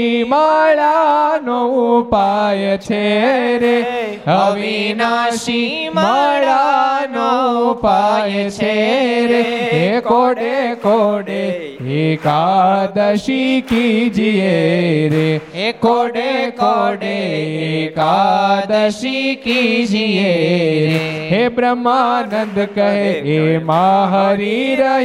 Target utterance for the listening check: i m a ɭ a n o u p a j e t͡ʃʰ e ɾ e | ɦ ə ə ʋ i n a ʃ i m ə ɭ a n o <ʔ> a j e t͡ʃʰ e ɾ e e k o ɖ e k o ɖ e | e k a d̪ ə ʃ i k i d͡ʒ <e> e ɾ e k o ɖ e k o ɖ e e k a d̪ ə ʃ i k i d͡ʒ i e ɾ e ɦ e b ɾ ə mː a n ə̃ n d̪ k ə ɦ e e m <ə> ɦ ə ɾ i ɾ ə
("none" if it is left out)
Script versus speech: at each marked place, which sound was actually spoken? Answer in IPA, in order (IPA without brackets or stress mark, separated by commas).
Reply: p, i, a